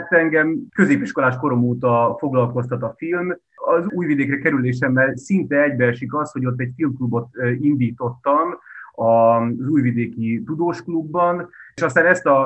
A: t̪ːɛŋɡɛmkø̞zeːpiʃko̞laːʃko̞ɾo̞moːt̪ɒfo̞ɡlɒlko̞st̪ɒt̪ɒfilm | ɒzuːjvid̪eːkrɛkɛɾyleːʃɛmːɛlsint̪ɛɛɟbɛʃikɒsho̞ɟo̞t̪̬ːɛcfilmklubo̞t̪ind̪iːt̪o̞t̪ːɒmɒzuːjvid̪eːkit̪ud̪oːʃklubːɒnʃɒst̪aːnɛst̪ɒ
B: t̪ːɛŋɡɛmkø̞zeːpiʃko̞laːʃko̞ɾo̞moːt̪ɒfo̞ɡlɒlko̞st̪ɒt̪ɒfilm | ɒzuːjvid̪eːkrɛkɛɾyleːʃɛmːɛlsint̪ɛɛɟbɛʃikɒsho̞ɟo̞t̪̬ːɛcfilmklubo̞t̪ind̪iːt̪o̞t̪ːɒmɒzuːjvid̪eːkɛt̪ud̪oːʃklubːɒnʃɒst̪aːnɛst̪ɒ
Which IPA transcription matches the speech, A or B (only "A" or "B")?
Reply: A